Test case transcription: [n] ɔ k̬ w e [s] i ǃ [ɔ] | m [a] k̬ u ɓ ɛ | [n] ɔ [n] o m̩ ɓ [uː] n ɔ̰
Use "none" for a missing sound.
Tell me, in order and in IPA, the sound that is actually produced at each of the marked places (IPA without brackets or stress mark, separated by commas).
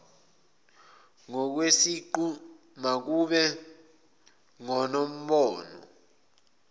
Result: ŋ, s, u, a, ŋ, n, ɔː